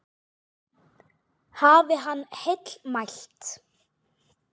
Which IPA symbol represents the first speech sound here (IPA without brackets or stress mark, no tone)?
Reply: h